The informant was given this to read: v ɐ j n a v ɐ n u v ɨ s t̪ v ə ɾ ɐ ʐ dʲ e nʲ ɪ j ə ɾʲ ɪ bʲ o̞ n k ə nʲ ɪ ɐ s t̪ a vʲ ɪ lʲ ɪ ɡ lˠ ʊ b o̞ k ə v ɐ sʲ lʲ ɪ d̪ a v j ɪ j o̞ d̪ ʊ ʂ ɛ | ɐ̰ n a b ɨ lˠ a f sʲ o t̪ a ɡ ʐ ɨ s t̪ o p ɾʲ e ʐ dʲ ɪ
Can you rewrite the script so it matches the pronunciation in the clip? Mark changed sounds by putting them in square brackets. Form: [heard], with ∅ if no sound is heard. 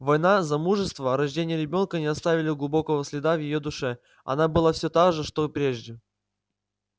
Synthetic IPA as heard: v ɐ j n a [z] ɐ [m] u [ʐ] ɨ s t̪ v ə ɾ ɐ ʐ dʲ e nʲ ɪ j ə ɾʲ ɪ bʲ o̞ n k ə nʲ ɪ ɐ s t̪ a vʲ ɪ lʲ ɪ ɡ lˠ ʊ b o̞ k ə v [ə] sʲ lʲ ɪ d̪ a v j ɪ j o̞ d̪ ʊ ʂ ɛ | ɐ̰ n a b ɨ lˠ a f sʲ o t̪ a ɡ ʐ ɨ [ʂ] t̪ o p ɾʲ e ʐ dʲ ɪ

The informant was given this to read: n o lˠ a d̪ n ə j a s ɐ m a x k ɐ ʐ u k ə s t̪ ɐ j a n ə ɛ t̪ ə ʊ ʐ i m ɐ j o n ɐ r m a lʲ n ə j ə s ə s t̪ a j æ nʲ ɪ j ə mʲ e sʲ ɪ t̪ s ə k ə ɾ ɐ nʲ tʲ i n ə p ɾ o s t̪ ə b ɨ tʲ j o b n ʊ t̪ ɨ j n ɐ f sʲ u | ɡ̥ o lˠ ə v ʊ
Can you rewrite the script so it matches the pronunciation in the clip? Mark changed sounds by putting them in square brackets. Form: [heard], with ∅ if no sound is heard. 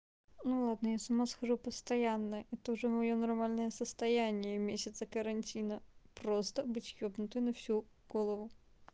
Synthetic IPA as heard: n [u] lˠ a d̪ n ə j a s ɐ m a [s] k ɐ ʐ u [p] ə s t̪ ɐ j a [nː] ə ɛ t̪ ə ʊ ʐ [ɛ] m ɐ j o n ɐ r m a lʲ n ə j ə s ə s t̪ [ɐ] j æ nʲ ɪ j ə mʲ e sʲ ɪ t̪ s ə k ə ɾ ɐ nʲ tʲ i n ə p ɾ o s t̪ ə b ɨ tʲ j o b n ʊ t̪ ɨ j n ɐ f sʲ u | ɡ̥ o lˠ ə v ʊ

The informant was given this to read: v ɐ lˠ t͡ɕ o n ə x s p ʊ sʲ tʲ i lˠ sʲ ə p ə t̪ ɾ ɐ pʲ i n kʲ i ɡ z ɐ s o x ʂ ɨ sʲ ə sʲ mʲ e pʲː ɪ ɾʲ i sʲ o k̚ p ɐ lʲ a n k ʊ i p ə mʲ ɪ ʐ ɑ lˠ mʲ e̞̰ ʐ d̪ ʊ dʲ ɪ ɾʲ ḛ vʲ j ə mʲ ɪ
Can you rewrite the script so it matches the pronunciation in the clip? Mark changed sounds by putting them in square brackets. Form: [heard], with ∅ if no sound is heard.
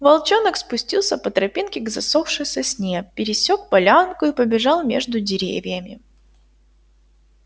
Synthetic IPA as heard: v ɐ lˠ t͡ɕ o n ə [k] s p ʊ sʲ tʲ i lˠ sʲ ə p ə t̪ ɾ ɐ pʲ i n kʲ [ɪ] ɡ z ɐ s o [f] ʂ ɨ sʲ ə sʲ [nʲ] e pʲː ɪ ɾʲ [ɪ] sʲ o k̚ p ɐ lʲ a n k ʊ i p ə [bʲ] ɪ ʐ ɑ lˠ mʲ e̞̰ ʐ d̪ ʊ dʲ ɪ ɾʲ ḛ vʲ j ə mʲ ɪ

